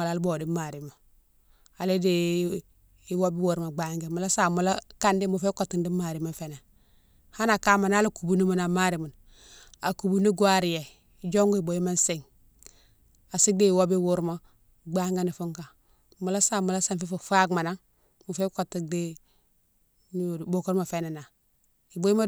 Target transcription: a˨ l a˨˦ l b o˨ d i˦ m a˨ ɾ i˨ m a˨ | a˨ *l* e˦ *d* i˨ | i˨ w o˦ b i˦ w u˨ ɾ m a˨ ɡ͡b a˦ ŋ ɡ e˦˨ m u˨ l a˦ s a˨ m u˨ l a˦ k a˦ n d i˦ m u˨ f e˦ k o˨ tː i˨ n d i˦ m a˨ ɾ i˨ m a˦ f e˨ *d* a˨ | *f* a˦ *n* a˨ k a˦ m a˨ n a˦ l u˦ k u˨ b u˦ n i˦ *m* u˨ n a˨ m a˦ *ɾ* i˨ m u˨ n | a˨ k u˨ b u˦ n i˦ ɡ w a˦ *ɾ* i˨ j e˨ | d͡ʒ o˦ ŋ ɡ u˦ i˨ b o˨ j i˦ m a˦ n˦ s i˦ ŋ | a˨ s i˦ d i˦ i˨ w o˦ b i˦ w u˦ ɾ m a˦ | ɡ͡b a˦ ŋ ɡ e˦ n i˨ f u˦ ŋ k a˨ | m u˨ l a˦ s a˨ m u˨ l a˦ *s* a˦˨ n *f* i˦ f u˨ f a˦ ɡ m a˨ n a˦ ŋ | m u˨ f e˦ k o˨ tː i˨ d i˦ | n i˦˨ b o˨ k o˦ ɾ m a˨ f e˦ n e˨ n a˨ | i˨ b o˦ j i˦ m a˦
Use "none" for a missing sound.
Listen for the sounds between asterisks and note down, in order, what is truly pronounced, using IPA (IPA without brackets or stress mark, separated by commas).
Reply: l, d, n, h, n, m, ɾ, ɾ, s, f